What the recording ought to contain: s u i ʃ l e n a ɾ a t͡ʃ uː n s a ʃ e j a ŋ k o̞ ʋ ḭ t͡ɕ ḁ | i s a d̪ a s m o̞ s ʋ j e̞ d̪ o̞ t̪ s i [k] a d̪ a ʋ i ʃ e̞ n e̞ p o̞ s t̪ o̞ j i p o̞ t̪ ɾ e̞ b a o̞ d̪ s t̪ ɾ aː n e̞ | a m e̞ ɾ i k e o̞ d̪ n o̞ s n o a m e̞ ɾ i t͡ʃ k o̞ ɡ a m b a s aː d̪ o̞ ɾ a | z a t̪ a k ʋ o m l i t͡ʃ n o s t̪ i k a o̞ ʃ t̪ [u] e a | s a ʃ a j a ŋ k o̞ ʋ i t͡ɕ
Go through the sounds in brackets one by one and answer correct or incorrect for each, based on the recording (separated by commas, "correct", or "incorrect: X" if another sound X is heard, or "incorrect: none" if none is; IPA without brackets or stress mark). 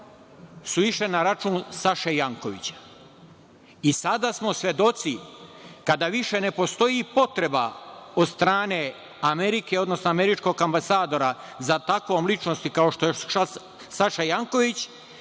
correct, incorrect: o